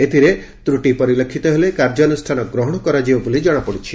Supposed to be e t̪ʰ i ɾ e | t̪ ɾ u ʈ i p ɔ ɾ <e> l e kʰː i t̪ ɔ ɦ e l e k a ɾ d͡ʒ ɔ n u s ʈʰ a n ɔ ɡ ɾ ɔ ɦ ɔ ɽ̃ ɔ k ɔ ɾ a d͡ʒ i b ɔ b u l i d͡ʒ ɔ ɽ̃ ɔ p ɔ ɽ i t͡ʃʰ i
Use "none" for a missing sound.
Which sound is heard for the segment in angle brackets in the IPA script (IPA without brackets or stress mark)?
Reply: i